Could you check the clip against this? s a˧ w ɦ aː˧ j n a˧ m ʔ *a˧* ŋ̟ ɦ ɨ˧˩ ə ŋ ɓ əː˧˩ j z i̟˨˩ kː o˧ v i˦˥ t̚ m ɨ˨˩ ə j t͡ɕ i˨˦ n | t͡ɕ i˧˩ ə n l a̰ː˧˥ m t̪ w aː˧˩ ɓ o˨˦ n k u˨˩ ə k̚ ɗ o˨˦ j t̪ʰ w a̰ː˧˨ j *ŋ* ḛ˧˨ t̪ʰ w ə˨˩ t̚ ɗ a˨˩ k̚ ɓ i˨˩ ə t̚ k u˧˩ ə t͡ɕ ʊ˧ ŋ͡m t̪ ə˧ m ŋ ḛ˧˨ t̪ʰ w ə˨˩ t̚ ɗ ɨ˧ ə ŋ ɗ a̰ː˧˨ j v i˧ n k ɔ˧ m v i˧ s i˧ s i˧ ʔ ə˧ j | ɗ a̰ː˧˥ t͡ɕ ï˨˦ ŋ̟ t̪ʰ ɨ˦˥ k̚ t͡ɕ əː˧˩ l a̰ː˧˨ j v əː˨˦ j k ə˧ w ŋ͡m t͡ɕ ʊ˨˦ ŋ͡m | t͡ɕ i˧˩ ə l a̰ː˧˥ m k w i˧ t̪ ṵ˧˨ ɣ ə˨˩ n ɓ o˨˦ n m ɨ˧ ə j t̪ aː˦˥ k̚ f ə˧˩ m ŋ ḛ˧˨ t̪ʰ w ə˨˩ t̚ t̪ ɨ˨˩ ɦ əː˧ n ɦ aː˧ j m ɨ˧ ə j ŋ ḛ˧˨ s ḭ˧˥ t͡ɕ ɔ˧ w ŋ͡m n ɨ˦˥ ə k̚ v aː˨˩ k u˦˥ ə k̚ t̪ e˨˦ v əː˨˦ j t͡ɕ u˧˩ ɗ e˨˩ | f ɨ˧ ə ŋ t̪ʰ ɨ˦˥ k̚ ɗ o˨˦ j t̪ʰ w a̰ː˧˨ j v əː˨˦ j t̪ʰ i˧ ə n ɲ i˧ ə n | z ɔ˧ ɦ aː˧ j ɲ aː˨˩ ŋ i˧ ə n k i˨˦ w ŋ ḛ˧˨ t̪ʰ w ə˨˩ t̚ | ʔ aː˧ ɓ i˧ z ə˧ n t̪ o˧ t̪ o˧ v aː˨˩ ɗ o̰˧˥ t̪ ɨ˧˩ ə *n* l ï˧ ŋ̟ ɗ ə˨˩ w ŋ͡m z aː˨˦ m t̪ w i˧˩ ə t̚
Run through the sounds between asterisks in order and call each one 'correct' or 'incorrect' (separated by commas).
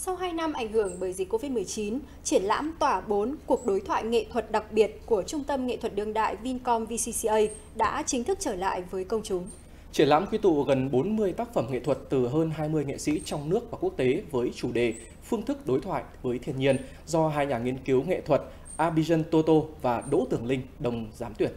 incorrect, correct, incorrect